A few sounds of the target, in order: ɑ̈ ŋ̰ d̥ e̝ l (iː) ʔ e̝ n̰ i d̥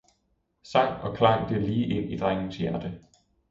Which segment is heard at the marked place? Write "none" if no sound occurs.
iː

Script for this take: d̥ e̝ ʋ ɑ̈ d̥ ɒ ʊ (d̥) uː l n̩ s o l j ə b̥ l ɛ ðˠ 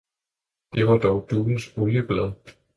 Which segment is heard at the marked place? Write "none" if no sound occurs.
d̥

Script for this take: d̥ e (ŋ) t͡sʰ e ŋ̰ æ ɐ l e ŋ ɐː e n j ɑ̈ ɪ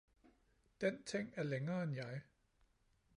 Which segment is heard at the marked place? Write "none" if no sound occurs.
n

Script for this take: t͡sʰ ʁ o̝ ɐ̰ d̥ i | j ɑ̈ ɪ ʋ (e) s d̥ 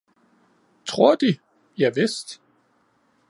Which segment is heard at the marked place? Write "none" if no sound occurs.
e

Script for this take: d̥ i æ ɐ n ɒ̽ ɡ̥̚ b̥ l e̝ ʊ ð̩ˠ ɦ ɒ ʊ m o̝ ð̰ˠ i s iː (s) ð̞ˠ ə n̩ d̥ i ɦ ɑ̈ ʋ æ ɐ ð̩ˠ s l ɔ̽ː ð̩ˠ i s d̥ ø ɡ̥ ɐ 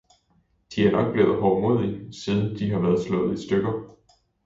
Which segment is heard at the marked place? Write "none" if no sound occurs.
none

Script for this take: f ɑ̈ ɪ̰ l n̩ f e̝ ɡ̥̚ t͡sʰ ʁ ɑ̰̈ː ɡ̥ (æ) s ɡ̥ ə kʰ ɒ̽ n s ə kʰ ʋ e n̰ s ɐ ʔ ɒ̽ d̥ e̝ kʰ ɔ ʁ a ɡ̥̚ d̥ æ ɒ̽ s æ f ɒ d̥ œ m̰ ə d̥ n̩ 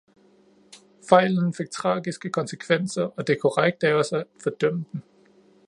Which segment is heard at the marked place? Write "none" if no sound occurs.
i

